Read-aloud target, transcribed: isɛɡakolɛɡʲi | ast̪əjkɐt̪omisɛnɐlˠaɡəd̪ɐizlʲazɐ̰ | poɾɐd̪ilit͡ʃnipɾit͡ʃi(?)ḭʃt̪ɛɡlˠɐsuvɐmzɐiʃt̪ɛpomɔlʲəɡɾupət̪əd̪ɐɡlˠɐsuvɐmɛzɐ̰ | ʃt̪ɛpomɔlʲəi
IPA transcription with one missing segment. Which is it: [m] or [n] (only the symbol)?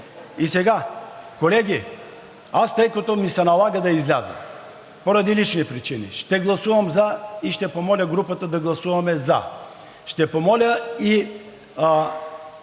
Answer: n